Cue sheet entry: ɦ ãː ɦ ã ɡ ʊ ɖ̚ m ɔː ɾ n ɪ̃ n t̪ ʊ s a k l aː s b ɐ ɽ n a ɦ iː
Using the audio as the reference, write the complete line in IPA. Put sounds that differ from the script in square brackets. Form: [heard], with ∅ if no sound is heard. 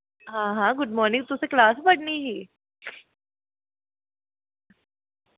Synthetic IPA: ɦ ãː ɦ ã ɡ ʊ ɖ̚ m ɔː ɾ n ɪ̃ [ŋ] t̪ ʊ s [e] k l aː s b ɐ ɽ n [i] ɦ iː